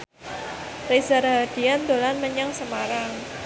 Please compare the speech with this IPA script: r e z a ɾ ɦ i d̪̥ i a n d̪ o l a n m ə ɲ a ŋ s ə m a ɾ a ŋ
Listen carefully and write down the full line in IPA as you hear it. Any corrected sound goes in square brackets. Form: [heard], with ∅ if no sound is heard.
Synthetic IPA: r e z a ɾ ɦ [a] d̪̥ i a n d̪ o l a n m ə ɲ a ŋ s ə m a ɾ a ŋ